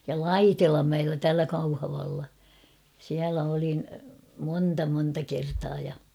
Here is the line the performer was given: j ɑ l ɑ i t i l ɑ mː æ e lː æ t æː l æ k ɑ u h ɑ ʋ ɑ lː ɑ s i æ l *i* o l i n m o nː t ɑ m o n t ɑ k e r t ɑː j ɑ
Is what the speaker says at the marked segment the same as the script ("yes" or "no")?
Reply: no